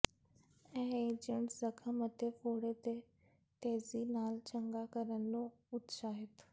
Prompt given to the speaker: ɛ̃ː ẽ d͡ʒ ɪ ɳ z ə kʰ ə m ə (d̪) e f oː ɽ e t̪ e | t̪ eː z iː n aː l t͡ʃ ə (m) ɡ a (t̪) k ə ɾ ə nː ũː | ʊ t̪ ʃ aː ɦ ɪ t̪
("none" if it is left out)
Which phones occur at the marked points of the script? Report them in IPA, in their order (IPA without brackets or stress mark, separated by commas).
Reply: t̪, ŋ, none